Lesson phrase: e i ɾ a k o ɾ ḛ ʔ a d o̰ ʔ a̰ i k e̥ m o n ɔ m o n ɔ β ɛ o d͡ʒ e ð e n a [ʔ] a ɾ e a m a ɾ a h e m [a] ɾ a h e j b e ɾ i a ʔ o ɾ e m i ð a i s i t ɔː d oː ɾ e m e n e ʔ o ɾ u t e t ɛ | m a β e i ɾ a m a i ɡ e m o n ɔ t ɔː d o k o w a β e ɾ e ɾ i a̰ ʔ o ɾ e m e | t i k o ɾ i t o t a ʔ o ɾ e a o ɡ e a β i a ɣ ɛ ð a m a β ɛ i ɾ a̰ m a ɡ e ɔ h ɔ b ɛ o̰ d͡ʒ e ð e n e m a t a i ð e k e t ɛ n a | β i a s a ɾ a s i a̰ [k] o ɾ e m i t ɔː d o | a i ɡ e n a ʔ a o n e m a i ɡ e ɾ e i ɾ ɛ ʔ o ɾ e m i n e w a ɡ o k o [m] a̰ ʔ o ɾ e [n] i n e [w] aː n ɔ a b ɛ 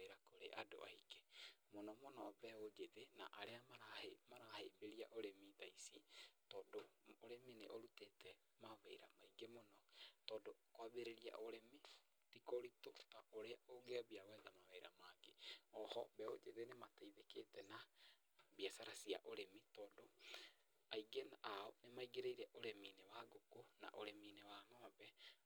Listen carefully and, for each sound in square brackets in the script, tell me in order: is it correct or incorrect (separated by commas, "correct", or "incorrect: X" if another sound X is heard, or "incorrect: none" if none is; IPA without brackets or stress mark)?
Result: correct, correct, incorrect: ʔ, incorrect: n, incorrect: m, correct